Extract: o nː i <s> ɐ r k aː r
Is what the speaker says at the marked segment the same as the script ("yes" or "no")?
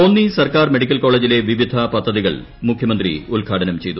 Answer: yes